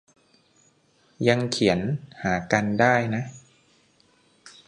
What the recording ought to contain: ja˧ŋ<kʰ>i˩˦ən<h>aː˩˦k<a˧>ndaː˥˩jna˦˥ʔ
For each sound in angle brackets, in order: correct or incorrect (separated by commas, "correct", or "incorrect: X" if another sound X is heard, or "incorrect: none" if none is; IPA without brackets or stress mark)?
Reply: correct, correct, correct